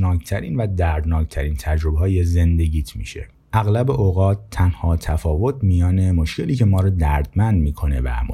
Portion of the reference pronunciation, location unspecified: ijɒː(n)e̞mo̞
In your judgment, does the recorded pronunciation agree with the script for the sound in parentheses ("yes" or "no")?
yes